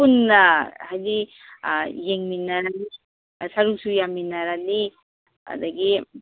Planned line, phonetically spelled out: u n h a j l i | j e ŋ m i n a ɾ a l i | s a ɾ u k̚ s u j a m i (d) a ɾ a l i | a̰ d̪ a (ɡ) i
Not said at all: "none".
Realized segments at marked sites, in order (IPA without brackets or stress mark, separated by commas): n, ɡ